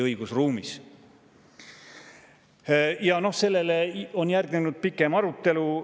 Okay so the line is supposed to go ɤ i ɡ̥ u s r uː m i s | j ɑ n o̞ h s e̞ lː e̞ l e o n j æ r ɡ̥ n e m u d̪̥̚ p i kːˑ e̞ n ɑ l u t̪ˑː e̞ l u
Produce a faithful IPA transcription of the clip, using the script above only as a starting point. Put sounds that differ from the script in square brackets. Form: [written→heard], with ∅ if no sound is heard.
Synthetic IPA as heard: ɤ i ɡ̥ u s r uː m i s | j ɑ n o̞ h s e̞ lː e̞ l e o n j æ r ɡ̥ n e [m→n] u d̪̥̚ p i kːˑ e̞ [n→m] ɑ [l→ɾ] u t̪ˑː e̞ l u